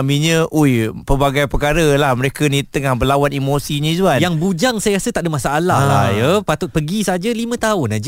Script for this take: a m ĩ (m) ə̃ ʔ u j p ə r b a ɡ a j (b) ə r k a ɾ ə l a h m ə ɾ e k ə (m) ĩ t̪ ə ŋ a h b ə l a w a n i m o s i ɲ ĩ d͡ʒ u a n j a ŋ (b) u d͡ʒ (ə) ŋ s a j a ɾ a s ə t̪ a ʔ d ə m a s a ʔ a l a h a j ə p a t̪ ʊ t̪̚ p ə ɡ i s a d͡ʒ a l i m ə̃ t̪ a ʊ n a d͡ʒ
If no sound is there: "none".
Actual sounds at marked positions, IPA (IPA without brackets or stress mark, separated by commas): ɲ, p, n, b, a